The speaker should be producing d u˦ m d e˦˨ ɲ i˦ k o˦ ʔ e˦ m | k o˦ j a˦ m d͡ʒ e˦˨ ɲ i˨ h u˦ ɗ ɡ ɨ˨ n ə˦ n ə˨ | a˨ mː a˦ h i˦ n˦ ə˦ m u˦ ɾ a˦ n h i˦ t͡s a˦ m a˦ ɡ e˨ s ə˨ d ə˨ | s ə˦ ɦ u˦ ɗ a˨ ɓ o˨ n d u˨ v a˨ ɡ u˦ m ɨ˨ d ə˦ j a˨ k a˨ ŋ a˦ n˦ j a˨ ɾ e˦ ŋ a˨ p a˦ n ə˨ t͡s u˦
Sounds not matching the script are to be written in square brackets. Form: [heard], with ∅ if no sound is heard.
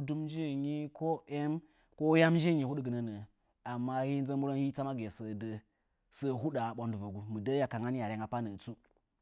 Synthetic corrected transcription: d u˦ m [d͡ʒ] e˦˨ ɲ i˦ k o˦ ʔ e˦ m | k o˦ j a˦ m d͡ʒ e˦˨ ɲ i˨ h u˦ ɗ ɡ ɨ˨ n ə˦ n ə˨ | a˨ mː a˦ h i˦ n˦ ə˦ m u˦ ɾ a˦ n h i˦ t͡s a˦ m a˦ ɡ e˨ s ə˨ d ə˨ | s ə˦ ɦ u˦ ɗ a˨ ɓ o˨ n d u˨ v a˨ ɡ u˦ m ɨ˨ d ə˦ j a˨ k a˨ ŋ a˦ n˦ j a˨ ɾ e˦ ŋ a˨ p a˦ n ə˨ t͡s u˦